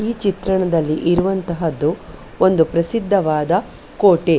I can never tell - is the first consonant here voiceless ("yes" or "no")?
yes